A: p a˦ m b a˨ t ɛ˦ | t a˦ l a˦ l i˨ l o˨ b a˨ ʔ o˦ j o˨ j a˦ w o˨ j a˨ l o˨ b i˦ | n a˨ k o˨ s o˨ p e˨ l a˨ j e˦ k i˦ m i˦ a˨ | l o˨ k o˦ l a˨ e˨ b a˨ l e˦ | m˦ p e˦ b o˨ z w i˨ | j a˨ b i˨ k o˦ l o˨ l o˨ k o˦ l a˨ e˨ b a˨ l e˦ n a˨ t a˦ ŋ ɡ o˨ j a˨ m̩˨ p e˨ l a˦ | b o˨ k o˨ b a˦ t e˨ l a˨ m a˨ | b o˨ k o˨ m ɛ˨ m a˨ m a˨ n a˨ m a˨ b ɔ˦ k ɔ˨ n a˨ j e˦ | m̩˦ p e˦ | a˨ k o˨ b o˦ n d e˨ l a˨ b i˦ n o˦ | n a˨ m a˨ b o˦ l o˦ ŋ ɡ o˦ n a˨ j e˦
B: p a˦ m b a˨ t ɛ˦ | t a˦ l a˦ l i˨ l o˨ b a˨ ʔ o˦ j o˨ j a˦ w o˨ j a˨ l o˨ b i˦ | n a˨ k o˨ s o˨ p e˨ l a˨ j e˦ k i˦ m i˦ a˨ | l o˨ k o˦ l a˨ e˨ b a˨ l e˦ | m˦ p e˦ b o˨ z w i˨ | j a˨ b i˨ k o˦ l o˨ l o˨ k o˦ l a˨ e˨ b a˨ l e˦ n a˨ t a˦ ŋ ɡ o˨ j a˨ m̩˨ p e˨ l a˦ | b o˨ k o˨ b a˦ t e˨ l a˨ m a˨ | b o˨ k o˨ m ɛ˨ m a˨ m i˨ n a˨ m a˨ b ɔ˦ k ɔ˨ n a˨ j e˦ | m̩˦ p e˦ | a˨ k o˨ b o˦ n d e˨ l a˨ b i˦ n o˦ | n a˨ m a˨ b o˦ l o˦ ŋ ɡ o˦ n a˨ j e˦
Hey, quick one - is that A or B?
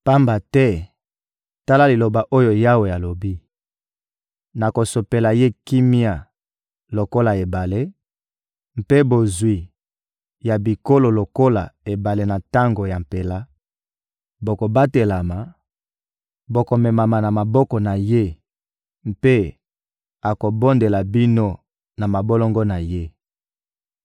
A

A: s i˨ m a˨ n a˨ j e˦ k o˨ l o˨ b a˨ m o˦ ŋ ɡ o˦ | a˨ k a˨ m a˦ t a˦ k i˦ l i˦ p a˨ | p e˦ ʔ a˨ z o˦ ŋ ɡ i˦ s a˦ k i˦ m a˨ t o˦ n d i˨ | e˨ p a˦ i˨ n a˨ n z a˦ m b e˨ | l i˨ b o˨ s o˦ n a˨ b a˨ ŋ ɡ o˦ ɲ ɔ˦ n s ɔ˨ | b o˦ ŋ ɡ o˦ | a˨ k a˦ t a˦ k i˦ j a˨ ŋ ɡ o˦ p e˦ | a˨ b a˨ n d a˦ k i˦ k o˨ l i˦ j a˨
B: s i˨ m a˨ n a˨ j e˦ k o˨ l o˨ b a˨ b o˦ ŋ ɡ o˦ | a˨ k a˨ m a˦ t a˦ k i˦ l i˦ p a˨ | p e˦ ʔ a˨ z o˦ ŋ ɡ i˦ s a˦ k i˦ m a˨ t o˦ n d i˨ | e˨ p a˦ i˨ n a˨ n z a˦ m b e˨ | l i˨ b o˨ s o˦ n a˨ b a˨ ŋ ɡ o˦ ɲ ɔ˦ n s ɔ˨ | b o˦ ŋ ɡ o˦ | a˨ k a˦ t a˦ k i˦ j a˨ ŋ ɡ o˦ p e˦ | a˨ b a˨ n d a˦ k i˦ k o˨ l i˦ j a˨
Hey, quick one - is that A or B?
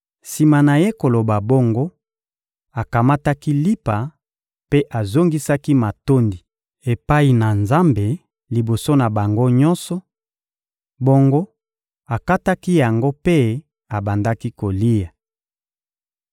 B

